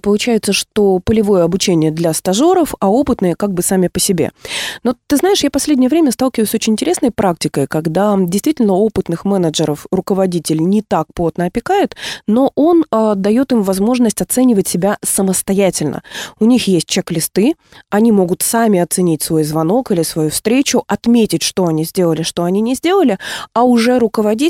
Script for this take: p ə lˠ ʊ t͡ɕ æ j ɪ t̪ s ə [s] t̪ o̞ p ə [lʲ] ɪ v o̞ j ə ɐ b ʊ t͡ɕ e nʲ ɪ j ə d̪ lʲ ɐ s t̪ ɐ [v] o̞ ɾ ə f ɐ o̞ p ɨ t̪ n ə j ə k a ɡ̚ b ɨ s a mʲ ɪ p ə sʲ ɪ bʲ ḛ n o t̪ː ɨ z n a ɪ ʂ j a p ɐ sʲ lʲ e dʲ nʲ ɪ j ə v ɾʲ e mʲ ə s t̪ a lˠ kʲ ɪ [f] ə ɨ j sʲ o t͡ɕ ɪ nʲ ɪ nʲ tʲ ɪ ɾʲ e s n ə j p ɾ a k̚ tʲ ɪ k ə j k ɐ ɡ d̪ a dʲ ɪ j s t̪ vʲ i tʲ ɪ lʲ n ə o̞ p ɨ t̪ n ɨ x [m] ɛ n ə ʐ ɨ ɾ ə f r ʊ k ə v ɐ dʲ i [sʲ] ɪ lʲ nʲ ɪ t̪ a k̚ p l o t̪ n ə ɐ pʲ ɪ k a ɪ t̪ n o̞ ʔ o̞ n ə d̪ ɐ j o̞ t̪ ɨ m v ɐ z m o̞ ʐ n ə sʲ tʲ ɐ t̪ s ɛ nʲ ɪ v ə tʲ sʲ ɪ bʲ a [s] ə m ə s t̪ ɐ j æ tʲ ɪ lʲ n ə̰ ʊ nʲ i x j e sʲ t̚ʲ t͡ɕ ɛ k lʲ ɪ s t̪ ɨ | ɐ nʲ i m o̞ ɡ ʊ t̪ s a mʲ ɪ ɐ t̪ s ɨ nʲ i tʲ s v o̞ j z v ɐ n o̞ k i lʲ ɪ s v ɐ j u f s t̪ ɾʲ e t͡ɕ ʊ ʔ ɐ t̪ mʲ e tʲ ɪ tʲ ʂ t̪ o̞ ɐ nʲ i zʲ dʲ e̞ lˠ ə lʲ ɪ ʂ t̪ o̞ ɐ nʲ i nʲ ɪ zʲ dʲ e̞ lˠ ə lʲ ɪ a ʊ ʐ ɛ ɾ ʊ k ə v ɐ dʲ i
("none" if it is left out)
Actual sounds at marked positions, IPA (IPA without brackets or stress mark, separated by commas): ʂ, lʲ, ʐ, v, m, tʲ, s